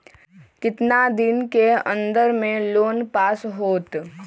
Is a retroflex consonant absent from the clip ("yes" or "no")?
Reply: yes